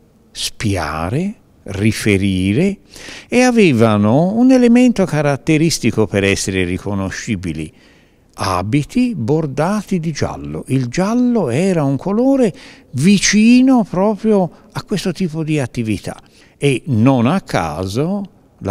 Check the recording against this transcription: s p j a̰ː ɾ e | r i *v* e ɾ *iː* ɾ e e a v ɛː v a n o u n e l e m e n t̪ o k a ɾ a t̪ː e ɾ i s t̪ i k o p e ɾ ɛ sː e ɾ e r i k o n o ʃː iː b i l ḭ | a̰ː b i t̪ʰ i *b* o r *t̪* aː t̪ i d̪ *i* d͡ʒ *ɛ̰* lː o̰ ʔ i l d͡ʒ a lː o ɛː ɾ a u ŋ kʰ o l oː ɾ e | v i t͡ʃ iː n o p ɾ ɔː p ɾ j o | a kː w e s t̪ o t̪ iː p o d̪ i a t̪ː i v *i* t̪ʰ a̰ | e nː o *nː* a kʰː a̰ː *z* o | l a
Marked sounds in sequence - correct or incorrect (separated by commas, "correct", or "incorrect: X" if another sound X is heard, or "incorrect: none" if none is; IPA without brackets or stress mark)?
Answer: incorrect: f, correct, correct, incorrect: d̪, correct, incorrect: a̰, correct, incorrect: n, correct